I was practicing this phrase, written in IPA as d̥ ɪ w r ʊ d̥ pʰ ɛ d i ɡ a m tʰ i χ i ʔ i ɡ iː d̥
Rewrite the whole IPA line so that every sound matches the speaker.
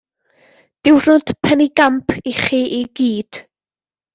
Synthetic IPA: d̥ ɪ w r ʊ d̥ pʰ ɛ n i ɡ a m pʰ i χ i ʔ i ɡ iː d̥